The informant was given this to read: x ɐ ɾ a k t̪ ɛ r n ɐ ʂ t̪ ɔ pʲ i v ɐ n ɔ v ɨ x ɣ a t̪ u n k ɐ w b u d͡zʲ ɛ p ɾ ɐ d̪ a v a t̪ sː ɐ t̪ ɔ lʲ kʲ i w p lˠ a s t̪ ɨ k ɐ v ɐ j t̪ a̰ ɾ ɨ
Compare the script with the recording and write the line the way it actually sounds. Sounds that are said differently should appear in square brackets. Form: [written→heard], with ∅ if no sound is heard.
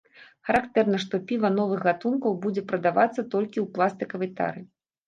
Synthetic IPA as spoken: x ɐ ɾ a k t̪ ɛ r n ɐ ʂ t̪ ɔ pʲ i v ɐ n ɔ v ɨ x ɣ a t̪ u n k ɐ w b u d͡zʲ ɛ p ɾ ɐ d̪ a v a t̪ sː ɐ t̪ ɔ lʲ kʲ i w p lˠ a s t̪ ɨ k ɐ v ɐ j t̪ a̰ ɾ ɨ